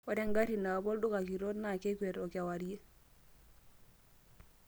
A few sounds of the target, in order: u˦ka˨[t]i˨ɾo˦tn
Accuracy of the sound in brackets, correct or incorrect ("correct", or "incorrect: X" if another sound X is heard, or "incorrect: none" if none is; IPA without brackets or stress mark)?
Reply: incorrect: k